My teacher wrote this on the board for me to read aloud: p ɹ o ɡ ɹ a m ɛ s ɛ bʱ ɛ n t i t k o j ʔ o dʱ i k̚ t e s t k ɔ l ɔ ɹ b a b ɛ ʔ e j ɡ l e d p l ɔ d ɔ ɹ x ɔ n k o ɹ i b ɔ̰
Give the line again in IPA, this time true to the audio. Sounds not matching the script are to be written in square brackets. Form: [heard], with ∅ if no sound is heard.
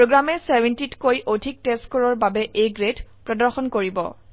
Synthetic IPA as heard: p ɹ o ɡ ɹ a m ɛ s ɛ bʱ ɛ n t i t k o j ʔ o dʱ i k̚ t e s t k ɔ [ɹ] ɔ ɹ b a b ɛ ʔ e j ɡ [ɹ] e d p [ɹ] ɔ d ɔ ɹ x ɔ n k o ɹ i b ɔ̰